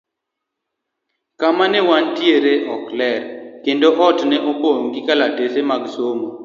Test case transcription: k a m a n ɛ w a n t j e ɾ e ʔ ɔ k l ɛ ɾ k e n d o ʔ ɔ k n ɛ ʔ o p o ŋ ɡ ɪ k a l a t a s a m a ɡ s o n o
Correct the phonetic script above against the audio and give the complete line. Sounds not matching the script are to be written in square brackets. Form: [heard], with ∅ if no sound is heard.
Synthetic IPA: k a m a n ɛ w a n t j e ɾ e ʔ ɔ k l ɛ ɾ k e n d o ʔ ɔ [t] n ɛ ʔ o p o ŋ ɡ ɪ k a l a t [e] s [e] m a ɡ s o [m] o